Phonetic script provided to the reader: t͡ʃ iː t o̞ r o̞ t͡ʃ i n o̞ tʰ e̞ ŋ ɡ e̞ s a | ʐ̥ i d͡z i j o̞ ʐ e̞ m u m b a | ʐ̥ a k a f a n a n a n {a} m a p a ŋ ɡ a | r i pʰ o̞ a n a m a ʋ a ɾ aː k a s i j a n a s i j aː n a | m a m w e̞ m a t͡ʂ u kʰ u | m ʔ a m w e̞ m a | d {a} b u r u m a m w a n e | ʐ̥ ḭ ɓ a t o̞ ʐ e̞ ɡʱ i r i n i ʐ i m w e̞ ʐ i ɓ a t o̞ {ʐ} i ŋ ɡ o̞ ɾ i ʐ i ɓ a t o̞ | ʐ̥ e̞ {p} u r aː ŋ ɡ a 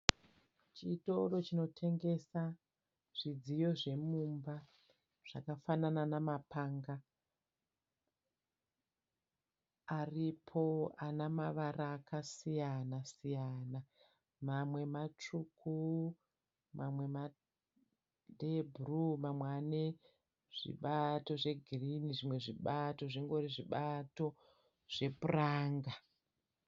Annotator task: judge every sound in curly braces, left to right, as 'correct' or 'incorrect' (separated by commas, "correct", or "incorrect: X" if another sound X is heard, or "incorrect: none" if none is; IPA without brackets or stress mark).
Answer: correct, incorrect: e, correct, correct